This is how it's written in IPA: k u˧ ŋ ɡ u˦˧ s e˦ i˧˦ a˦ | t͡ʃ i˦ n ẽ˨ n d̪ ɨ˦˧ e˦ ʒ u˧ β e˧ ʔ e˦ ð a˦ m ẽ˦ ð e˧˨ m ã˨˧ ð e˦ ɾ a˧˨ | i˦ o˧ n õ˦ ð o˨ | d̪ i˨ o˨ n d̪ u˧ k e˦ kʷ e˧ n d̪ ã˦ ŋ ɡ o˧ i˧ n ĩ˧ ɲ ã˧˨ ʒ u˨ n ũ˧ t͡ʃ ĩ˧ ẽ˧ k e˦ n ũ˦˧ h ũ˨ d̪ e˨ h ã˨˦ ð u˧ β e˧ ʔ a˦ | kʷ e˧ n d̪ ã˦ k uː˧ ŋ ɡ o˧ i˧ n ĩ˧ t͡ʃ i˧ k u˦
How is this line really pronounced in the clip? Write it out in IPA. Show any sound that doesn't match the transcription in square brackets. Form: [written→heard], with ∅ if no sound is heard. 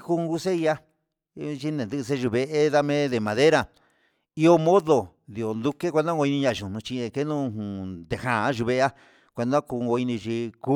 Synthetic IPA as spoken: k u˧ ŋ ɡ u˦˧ s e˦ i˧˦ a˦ | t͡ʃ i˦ n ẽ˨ n d̪ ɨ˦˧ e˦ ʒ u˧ β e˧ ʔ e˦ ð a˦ m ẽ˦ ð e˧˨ m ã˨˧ ð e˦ ɾ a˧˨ | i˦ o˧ [n→m] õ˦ ð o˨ | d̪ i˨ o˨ n d̪ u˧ k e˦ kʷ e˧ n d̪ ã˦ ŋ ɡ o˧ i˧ n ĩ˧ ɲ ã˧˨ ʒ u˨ n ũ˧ t͡ʃ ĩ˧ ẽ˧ k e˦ n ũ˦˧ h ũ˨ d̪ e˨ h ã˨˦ [ð→ʒ] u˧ β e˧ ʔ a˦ | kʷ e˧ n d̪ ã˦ k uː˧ ŋ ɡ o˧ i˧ n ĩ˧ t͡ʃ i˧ k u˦